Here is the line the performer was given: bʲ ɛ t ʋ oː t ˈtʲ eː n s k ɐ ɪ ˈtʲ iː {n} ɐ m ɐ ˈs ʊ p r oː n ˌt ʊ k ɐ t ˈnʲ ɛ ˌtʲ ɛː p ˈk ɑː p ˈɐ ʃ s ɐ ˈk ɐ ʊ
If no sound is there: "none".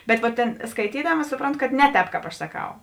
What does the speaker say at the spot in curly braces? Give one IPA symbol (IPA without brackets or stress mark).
d